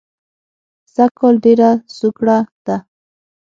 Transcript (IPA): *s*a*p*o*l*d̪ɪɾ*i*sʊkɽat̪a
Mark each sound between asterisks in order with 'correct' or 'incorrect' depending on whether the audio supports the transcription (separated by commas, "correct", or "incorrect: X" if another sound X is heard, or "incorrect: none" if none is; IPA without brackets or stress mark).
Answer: correct, incorrect: k, correct, incorrect: a